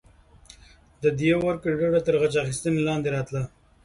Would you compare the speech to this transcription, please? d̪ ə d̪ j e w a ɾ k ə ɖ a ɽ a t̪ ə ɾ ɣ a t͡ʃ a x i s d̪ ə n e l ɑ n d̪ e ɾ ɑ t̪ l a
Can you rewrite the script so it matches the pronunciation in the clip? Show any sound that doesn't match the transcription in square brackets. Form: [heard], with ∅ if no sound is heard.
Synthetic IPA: d̪ ə d̪ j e w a ɾ k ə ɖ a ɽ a t̪ ə ɾ ɣ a t͡ʃ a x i s [t̪] ə n e l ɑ n d̪ e ɾ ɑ t̪ l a